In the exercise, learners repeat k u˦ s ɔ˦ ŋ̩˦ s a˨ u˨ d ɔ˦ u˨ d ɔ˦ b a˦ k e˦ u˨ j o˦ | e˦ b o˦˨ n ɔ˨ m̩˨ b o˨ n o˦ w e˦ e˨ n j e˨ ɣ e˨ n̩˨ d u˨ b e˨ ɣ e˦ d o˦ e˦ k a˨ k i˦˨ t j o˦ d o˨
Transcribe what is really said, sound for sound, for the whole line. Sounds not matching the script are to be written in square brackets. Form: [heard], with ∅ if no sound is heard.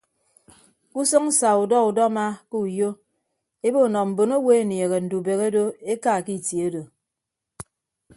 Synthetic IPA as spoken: k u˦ s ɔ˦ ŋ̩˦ s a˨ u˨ d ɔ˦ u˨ d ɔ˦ [m] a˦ k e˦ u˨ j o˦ | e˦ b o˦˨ n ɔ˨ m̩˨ b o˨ n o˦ w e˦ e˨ n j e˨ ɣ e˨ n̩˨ d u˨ b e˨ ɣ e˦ d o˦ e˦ k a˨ k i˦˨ t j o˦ d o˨